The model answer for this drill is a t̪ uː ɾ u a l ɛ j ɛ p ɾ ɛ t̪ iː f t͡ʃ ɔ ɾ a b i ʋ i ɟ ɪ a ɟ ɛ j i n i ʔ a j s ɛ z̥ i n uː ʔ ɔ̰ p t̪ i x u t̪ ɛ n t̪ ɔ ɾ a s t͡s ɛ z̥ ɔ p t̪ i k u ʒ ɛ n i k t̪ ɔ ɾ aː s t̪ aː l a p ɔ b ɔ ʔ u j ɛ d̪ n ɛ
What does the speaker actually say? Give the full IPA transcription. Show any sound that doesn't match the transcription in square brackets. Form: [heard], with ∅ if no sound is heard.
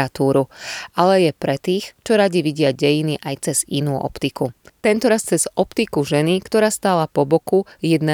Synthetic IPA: a t̪ uː ɾ u a l ɛ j ɛ p ɾ ɛ t̪ iː [x] t͡ʃ ɔ ɾ a [ɟ] i ʋ i ɟ ɪ a ɟ ɛ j i n i ʔ a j [t͡s] ɛ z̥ i n uː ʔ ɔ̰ p t̪ i [k] u t̪ ɛ n t̪ ɔ ɾ a s t͡s ɛ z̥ ɔ p t̪ i k u ʒ ɛ n i k t̪ ɔ ɾ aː s t̪ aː l a p ɔ b ɔ [k] u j ɛ d̪ n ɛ